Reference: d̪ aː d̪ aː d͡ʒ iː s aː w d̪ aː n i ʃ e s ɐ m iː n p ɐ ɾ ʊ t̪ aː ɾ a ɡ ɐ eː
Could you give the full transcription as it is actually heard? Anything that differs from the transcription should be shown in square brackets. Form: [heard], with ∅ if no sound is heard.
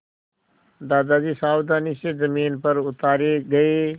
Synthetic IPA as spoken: d̪ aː d̪ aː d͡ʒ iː s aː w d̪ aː n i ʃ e [z] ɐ m iː n p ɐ ɾ ʊ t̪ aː ɾ [e] ɡ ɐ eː